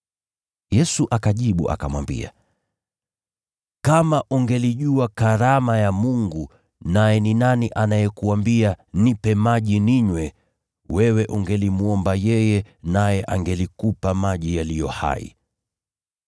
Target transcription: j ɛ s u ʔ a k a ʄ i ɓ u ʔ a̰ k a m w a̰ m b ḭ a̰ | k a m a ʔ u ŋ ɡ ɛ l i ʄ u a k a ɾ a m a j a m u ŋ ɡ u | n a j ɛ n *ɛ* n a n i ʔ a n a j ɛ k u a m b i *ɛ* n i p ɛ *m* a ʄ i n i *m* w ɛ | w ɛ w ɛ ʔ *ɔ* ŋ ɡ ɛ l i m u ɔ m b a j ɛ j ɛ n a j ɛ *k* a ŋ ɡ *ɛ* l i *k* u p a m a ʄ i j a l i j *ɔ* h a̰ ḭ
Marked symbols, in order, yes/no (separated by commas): no, no, yes, no, no, no, yes, yes, yes